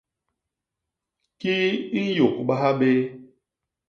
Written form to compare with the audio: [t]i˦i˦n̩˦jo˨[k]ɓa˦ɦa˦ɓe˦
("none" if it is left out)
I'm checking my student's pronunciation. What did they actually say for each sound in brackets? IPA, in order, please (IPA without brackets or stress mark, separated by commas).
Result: k, k